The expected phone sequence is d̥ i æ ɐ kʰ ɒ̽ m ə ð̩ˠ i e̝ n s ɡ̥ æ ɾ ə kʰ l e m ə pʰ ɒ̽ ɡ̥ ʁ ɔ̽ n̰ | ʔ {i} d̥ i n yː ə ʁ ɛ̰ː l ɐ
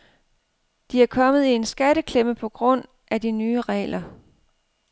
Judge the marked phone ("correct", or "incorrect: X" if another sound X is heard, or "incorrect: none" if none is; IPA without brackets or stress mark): incorrect: æ